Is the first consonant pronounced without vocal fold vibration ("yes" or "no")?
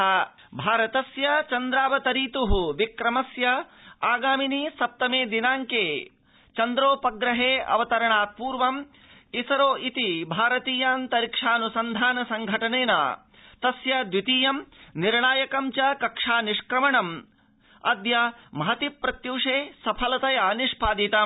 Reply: no